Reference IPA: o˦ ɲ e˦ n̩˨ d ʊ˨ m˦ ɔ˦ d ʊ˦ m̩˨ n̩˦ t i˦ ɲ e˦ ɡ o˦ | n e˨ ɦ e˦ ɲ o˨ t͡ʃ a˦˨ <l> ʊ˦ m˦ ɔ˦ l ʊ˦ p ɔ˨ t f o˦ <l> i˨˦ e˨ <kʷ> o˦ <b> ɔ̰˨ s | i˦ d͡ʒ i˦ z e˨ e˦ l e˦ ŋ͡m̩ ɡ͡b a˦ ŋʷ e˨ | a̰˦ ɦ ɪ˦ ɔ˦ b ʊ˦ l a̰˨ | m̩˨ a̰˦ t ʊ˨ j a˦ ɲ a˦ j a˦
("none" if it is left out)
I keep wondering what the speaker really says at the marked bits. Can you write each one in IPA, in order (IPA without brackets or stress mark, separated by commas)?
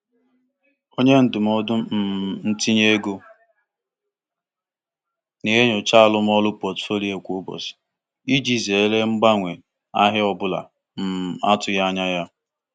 l, l, kʷ, b